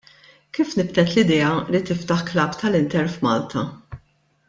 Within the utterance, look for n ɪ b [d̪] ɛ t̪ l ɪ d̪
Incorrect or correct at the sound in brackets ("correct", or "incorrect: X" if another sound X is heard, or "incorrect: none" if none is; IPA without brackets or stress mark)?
incorrect: t̪